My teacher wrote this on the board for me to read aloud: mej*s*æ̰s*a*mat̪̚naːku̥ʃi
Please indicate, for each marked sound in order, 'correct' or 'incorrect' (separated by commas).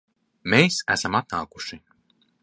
correct, correct